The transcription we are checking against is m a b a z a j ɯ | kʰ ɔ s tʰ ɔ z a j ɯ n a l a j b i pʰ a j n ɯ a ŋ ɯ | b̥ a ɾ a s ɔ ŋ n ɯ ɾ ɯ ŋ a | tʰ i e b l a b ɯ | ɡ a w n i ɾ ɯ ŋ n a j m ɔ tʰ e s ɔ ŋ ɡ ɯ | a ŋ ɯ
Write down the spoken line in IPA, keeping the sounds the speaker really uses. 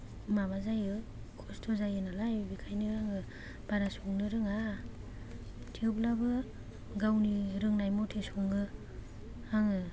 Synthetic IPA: m a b a z a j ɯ | kʰ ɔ s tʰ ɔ z a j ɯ n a l a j b i kʰ a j n ɯ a ŋ ɯ | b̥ a ɾ a s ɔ ŋ n ɯ ɾ ɯ ŋ a | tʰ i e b l a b ɯ | ɡ a w n i ɾ ɯ ŋ n a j m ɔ tʰ e s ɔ ŋ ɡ ɯ | a ŋ ɯ